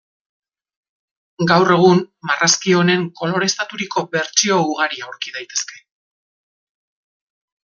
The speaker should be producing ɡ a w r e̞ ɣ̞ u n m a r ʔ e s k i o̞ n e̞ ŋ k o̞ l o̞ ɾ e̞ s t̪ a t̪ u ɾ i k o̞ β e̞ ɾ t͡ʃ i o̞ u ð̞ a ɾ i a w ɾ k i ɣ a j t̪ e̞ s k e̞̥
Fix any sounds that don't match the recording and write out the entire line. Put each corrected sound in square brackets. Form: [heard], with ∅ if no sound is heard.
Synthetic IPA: ɡ a w r e̞ ɣ̞ u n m a r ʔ [a] s k i o̞ n e̞ ŋ k o̞ l o̞ ɾ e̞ s t̪ a t̪ u ɾ i k o̞ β e̞ ɾ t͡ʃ i o̞ u [ɣ̞] a ɾ i a w ɾ k i [ð] a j t̪ e̞ s k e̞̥